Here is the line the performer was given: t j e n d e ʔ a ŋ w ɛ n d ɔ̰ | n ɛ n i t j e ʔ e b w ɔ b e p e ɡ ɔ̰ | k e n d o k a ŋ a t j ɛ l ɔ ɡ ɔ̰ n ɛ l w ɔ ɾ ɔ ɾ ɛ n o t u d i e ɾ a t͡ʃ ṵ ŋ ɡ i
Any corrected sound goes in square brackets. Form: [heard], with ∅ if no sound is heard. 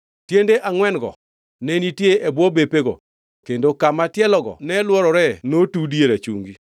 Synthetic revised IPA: t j e n d e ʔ a ŋ w ɛ n [ɡ] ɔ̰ | n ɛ n i t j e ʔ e b w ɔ b e p e ɡ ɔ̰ | k e n d o k a [m] a t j ɛ l ɔ ɡ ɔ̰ n ɛ l w ɔ ɾ ɔ ɾ ɛ n o t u d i e ɾ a t͡ʃ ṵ ŋ ɡ i